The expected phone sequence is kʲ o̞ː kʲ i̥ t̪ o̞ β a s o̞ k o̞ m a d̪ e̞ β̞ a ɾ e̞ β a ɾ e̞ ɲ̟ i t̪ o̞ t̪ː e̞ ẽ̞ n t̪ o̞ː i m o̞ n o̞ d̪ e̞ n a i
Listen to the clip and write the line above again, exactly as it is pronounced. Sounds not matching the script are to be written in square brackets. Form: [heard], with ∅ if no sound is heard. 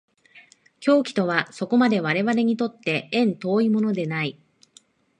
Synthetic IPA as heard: kʲ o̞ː kʲ i̥ t̪ o̞ β a s o̞ k o̞ m a d̪ e̞ β̞ a ɾ e̞ β a ɾ e̞ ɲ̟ i t̪ o̞ t̪ː e̞ ẽ̞ n t̪ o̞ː i m o̞ n o̞ d̪ e̞ n a i